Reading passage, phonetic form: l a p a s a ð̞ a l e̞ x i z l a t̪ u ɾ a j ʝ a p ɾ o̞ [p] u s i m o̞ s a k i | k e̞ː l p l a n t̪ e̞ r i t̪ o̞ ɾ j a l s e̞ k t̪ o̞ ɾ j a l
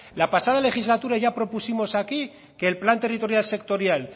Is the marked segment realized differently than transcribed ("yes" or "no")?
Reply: no